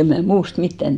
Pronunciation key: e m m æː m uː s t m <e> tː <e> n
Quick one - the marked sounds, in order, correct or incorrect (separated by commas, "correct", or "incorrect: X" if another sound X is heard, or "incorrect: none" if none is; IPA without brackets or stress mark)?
incorrect: i, incorrect: æ